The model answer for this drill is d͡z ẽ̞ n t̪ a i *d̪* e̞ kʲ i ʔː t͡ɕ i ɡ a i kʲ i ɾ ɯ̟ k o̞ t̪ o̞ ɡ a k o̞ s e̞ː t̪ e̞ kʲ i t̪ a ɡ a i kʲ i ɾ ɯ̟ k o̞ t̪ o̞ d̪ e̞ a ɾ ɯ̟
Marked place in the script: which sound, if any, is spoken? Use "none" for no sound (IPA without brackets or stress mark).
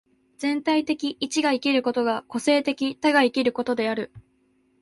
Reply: t̪